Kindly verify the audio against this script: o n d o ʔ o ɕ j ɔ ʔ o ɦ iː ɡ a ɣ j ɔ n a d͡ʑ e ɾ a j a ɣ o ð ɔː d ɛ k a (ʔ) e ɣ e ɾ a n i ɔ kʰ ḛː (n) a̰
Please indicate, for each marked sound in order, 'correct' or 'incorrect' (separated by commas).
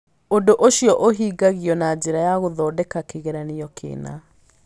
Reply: incorrect, correct